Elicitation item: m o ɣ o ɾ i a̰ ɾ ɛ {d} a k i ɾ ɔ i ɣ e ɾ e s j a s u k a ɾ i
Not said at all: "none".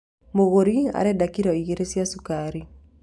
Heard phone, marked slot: d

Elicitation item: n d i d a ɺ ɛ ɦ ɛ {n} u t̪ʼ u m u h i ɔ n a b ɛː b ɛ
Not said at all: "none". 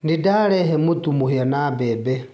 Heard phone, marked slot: m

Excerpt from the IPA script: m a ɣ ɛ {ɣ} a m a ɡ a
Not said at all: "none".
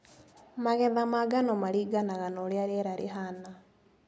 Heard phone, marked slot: ð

